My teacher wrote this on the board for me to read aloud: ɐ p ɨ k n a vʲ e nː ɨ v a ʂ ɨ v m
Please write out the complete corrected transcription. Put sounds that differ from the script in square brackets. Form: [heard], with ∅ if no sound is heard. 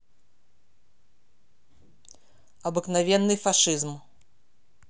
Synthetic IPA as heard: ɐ [b] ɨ k n a vʲ [ɛ] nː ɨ [f] a ʂ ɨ [z] m